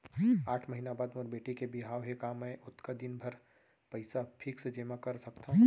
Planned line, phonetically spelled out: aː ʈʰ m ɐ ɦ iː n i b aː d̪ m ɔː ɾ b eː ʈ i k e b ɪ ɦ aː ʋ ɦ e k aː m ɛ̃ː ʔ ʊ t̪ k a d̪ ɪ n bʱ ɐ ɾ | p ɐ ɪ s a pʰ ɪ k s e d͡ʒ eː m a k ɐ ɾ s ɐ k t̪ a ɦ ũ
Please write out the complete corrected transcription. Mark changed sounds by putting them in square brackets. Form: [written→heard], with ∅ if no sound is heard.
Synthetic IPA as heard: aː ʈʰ m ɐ ɦ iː n [i→a] b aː d̪ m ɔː ɾ b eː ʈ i k e b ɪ ɦ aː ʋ ɦ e k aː m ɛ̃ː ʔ ʊ t̪ k a d̪ ɪ n bʱ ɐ ɾ | p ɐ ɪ s a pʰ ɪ k s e d͡ʒ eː m a k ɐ ɾ s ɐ k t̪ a ɦ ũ